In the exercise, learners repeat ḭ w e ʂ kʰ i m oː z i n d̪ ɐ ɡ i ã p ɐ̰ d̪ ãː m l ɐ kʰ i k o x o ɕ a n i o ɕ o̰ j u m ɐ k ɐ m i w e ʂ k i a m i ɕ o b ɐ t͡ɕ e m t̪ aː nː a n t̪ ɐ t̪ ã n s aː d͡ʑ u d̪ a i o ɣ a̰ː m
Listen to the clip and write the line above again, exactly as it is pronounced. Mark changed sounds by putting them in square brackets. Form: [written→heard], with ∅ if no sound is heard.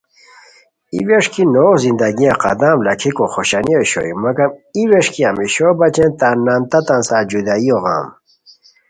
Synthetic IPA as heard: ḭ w e ʂ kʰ i [m→n] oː z i n d̪ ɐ ɡ i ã [p→q] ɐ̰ d̪ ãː m l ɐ kʰ i k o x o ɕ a n i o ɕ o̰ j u m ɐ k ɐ m i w e ʂ k i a m i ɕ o b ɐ t͡ɕ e [m→n] t̪ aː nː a n t̪ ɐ t̪ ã n s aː d͡ʑ u d̪ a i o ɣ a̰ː m